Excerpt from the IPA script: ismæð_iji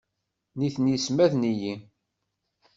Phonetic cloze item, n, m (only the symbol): n